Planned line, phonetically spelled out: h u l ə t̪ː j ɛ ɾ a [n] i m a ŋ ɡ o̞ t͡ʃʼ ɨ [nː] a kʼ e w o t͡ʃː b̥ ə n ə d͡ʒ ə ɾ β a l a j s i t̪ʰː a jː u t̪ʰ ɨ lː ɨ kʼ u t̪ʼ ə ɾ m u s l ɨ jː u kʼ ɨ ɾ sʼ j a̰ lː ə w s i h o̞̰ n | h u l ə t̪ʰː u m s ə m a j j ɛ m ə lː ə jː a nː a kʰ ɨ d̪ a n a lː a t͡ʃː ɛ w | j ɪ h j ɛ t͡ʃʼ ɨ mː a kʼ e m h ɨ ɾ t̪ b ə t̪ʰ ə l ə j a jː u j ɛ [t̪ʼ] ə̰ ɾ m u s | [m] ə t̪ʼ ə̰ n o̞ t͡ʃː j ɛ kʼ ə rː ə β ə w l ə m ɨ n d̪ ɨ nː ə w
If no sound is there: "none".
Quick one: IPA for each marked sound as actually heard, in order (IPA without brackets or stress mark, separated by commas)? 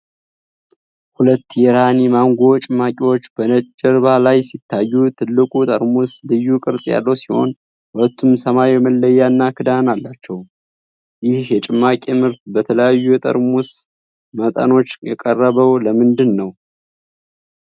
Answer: n, mː, t̪ʼ, m